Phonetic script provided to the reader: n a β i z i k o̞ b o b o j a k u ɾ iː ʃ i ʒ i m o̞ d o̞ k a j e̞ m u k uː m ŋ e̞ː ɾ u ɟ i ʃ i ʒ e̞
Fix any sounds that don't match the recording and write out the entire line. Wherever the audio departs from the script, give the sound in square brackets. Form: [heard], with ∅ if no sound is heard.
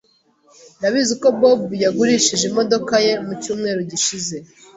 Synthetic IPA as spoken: n a β i z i k o̞ b o b [u] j a [ɡ] u ɾ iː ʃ i ʒ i m o̞ d o̞ k a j e̞ m u [c] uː m ŋ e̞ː ɾ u ɟ i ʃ i [z] e̞